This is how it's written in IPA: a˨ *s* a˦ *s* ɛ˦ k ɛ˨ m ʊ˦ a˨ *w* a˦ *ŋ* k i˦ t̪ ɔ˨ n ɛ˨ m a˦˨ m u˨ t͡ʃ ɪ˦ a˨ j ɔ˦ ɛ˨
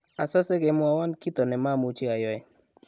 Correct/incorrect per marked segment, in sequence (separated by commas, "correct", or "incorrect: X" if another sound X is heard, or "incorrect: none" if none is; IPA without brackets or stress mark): correct, correct, correct, incorrect: n